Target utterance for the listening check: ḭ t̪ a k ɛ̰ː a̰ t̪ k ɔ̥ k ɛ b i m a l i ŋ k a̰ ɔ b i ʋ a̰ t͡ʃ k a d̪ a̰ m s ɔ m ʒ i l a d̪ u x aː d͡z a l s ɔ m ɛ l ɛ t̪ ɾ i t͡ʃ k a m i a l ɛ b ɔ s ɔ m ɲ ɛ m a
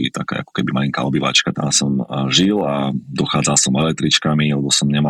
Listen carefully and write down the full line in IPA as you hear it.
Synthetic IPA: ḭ t̪ a k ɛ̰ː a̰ k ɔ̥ k ɛ b i m a l i ŋ k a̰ ɔ b i ʋ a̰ t͡ʃ k a t̪ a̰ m s ɔ m ʒ i l a d̪ ɔ x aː d͡z a l s ɔ m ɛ l ɛ t̪ ɾ i t͡ʃ k a m i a l ɛ b ɔ s ɔ m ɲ ɛ m a